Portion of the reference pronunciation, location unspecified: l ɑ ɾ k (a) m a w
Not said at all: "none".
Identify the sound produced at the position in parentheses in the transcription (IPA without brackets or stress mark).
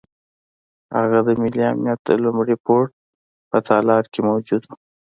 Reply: e